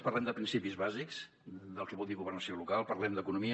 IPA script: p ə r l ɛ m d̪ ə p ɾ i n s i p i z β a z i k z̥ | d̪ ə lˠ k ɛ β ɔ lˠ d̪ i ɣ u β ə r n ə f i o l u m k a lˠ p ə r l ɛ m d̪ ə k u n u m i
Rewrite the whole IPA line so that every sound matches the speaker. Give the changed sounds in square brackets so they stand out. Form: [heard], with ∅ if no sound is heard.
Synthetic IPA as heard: p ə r l ɛ m d̪ ə p ɾ i n s i p i z β a z i k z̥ | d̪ ə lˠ k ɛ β ɔ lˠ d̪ i ɣ u β ə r n ə [s] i o l u [∅] k a lˠ p ə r l ɛ m d̪ ə k u n u m i